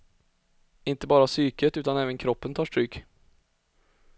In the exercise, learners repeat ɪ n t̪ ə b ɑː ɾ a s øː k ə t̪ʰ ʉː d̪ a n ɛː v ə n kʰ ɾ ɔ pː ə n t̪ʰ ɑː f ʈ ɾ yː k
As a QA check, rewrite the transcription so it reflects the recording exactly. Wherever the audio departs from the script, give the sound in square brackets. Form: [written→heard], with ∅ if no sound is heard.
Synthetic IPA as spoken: ɪ n t̪ ə b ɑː ɾ a s [øː→yː] k ə [t̪ʰ→t̪] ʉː [d̪→t̪] a n ɛː v ə n kʰ ɾ ɔ pː ə n t̪ʰ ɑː [f→ʂ] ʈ ɾ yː k

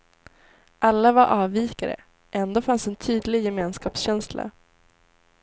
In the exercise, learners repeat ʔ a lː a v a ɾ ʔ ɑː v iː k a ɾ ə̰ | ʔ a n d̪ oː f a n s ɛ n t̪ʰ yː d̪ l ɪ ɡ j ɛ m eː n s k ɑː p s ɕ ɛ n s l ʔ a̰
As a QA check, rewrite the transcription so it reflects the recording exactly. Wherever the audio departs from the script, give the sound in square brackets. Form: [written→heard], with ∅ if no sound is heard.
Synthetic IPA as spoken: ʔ a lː a v a ɾ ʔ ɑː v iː k a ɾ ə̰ | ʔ [a→ɛ] n d̪ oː f a n s ɛ n t̪ʰ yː d̪ l ɪ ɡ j ɛ m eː n s k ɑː p s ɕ ɛ n s l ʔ a̰

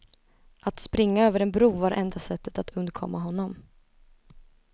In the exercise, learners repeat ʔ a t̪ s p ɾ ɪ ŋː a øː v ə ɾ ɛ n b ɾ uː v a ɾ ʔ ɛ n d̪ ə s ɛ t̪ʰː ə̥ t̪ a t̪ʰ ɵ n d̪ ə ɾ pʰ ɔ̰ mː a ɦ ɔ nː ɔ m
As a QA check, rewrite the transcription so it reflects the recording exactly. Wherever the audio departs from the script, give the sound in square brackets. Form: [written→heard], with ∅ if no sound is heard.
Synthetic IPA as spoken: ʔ a t̪ s p ɾ ɪ ŋː a øː v ə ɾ ɛ n b ɾ uː v a ɾ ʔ ɛ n d̪ [ə→a] s ɛ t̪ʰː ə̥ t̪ a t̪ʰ ɵ n d̪ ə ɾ [pʰ→kʰ] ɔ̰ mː a ɦ ɔ nː ɔ m

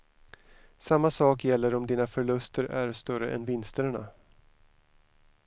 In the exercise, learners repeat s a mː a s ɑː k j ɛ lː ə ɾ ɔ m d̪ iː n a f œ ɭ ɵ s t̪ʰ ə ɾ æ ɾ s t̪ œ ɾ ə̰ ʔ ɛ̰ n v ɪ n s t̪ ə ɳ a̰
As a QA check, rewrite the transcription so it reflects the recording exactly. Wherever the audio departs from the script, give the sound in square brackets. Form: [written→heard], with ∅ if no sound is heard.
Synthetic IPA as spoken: s a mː a s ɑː k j ɛ lː ə ɾ ɔ m d̪ iː n a f œ ɭ ɵ s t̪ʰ ə ɾ æ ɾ s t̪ œ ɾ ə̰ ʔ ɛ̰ n v ɪ n s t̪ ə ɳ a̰

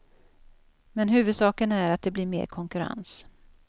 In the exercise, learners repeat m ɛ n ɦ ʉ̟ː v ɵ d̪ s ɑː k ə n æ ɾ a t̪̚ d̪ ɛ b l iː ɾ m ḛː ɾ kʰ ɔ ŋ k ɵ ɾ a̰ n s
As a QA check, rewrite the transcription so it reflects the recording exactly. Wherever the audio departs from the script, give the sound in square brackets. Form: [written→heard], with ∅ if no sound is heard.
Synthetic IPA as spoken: m ɛ n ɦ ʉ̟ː v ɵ d̪ s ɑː k ə n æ ɾ a t̪̚ d̪ ɛ b l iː ɾ m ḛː ɾ kʰ ɔ ŋ k ɵ ɾ a̰ n s

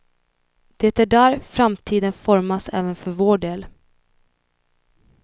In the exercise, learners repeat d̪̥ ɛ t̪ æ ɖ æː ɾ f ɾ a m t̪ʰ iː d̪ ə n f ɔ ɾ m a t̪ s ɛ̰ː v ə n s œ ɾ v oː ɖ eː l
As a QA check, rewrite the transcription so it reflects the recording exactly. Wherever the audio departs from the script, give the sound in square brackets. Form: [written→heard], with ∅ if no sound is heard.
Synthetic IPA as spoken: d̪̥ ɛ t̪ æ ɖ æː ɾ f ɾ a m t̪ʰ iː d̪ ə n f ɔ ɾ m a [t̪→∅] s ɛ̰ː v ə n [s→f] œ ɾ v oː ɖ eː l

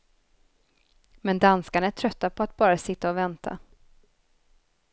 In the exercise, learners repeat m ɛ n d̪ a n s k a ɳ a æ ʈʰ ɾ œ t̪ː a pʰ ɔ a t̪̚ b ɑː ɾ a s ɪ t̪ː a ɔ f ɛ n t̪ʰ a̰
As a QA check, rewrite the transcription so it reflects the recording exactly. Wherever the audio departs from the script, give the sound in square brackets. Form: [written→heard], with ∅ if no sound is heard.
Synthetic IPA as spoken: m ɛ n d̪ a n s k a ɳ a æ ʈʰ ɾ œ t̪ː a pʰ ɔ a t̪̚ b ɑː ɾ a s ɪ t̪ː a ɔ [f→v] ɛ n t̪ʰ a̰

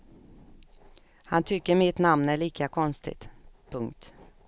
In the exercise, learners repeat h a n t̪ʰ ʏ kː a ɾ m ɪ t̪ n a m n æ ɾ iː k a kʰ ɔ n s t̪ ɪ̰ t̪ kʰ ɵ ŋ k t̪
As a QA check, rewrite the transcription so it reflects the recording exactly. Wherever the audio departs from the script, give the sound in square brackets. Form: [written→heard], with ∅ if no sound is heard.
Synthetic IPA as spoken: h a n t̪ʰ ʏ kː [a→ə] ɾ m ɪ t̪ n a m n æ [ɾ→ɭ] iː k a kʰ ɔ n s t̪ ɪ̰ t̪ [kʰ→pʰ] ɵ ŋ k t̪

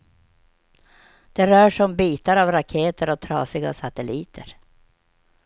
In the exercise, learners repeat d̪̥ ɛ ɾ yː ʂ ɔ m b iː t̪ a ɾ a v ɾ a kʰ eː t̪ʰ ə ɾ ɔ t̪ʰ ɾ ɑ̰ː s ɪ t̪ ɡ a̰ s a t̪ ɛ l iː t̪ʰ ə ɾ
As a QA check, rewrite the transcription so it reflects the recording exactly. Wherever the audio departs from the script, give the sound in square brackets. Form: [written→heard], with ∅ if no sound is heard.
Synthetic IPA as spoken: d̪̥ ɛ ɾ [yː→œː] ʂ ɔ m b iː t̪ a ɾ a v ɾ a kʰ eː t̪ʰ ə ɾ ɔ t̪ʰ ɾ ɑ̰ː s ɪ [t̪→∅] ɡ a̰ s a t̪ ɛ l iː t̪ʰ ə ɾ

